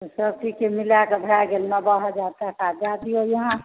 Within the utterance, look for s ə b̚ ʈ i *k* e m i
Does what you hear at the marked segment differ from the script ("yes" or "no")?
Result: no